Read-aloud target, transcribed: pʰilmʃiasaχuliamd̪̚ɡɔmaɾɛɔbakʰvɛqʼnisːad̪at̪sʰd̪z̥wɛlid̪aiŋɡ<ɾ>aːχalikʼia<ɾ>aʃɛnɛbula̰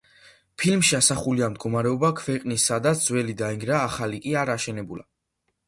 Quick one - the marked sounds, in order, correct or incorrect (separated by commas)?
correct, correct